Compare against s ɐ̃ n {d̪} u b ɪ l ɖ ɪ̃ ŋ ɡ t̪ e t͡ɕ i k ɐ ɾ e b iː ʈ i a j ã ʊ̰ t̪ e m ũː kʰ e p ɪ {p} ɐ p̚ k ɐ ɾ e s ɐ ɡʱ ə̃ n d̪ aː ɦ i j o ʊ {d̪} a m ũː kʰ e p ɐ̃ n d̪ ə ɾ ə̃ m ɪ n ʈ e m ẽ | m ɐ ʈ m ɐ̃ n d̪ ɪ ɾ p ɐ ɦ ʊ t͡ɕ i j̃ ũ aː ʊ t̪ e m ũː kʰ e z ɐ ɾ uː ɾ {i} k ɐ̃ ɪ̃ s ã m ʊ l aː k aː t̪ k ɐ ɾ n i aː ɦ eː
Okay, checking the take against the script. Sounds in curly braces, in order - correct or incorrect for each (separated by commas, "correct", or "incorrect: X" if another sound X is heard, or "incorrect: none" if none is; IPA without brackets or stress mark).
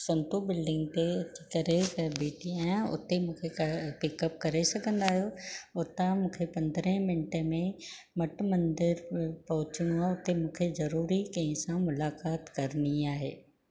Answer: incorrect: t̪, incorrect: k, incorrect: t̪, correct